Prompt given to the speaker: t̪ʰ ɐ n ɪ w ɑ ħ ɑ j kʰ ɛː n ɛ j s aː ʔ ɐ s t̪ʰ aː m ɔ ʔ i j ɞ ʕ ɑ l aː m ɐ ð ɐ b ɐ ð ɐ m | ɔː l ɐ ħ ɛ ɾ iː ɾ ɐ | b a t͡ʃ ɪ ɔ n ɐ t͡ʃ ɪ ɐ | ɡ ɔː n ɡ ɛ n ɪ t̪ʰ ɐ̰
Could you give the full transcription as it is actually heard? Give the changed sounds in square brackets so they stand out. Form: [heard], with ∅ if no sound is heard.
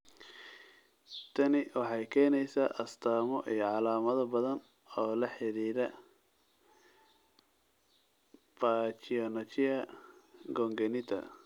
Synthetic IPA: t̪ʰ ɐ n ɪ w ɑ ħ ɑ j kʰ ɛː n ɛ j s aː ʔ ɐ s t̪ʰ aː m ɔ ʔ i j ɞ ʕ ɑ l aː m ɐ ð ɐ b ɐ ð ɐ [n] | ɔː l ɐ ħ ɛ ɾ iː ɾ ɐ | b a t͡ʃ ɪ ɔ n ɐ t͡ʃ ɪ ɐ | ɡ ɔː [ŋ] ɡ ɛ n ɪ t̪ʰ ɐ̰